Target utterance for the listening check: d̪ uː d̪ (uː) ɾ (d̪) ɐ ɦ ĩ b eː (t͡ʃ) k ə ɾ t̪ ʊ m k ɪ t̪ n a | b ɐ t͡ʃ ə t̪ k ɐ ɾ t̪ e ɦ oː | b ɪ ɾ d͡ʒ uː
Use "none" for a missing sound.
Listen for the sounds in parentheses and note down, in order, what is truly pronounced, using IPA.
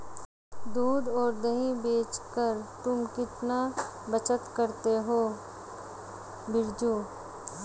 ɔː, d̪, t͡ʃ

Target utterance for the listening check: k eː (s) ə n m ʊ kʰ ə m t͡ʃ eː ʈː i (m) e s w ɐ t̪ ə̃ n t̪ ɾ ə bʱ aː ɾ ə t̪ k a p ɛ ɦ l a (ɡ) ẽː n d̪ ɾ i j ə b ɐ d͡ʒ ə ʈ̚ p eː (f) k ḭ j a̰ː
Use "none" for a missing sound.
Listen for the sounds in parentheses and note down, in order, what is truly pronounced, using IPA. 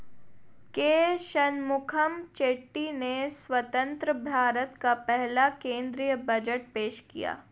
ʃ, n, k, ʃ

